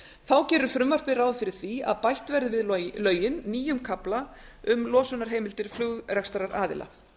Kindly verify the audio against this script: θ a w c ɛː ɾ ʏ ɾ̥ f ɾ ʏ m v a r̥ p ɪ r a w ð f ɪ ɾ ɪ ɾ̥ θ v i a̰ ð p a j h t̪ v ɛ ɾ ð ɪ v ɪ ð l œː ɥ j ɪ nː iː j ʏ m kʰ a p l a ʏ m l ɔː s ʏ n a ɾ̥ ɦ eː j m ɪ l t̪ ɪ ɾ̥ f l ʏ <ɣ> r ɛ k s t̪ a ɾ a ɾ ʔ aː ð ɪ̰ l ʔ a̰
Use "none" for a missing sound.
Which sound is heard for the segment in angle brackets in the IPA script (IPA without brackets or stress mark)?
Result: ɣ